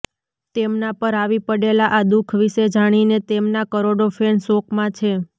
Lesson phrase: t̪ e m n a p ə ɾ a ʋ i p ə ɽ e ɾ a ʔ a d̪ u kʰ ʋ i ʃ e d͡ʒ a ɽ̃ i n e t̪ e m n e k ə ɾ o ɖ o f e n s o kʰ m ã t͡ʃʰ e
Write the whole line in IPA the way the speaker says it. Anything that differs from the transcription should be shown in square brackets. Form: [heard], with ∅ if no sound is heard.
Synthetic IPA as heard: t̪ e m n a p ə ɾ a ʋ i p ə ɽ e [l] a ʔ a d̪ u kʰ ʋ i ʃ e d͡ʒ a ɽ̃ i n e t̪ e m n [a] k ə ɾ o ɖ o f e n s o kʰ m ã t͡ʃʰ e